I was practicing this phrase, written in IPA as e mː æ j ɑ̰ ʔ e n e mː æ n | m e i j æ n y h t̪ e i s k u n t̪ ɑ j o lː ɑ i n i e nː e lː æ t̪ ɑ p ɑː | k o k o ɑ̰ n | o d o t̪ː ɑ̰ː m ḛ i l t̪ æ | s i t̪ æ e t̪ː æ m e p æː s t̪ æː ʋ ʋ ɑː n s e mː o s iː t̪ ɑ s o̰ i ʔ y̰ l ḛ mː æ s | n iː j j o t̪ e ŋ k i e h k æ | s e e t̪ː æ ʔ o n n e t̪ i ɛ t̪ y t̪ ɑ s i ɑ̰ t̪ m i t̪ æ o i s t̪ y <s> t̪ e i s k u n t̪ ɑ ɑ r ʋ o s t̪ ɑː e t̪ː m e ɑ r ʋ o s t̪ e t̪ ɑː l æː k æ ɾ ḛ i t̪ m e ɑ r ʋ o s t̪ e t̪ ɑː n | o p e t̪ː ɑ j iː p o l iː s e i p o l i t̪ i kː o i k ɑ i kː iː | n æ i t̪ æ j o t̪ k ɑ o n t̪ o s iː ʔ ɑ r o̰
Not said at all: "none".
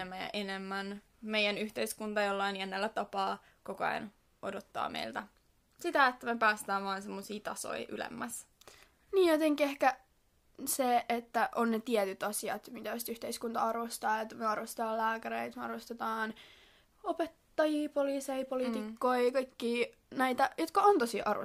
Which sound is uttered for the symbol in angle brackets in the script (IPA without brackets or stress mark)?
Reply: h